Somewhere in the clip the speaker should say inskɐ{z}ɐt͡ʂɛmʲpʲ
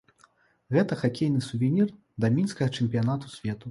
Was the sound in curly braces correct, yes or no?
no